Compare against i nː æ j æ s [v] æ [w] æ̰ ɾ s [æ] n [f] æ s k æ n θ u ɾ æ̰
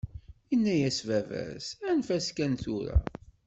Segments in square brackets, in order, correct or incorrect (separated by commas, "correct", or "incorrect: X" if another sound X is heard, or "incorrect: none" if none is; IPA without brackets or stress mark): correct, incorrect: v, correct, correct